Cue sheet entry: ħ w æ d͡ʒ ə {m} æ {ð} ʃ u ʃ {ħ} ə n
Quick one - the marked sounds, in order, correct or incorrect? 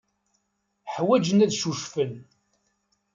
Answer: incorrect: n, correct, incorrect: f

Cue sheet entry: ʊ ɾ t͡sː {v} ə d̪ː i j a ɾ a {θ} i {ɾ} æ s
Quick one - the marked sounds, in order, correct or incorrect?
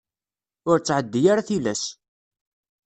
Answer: incorrect: ʕ, correct, incorrect: l

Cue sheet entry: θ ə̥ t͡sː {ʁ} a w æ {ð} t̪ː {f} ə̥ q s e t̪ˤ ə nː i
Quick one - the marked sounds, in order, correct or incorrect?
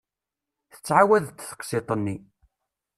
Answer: incorrect: ʕ, correct, incorrect: θ

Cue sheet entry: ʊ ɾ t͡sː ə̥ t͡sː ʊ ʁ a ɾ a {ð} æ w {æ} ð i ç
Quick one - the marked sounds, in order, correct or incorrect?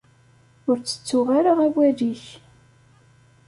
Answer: incorrect: ʁ, correct

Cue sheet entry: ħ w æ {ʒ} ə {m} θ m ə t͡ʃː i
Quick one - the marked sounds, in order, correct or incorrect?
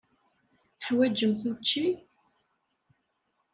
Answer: incorrect: d͡ʒ, correct

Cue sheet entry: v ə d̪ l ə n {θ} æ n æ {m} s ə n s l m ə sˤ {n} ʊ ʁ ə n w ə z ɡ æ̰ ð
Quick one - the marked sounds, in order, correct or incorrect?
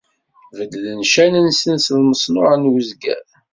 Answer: incorrect: ʃ, incorrect: n, correct

